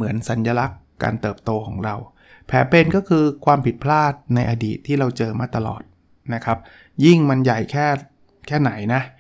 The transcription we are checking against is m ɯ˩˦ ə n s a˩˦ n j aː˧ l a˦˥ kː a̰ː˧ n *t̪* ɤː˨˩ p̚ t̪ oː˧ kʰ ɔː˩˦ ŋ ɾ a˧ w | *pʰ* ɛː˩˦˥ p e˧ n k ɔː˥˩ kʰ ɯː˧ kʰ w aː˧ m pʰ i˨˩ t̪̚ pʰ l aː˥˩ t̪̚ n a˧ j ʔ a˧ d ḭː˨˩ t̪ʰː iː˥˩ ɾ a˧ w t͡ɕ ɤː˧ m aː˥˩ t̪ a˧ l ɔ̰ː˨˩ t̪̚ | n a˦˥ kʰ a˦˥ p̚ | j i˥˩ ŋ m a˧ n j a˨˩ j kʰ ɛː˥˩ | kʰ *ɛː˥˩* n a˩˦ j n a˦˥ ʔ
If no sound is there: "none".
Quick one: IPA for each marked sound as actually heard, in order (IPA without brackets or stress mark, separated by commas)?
t̪, pʰ, ɛː˥˩